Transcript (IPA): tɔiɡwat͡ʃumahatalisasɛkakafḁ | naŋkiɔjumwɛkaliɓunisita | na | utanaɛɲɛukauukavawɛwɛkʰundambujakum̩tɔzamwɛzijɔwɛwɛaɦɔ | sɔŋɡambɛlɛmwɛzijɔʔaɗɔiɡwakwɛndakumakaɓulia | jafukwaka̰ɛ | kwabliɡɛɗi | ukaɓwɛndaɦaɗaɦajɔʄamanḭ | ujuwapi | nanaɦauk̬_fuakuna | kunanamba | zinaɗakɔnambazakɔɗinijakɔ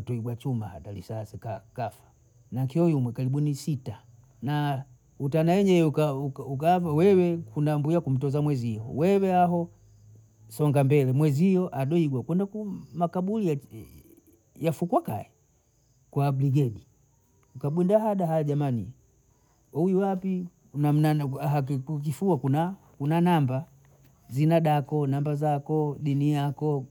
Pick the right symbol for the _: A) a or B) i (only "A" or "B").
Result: B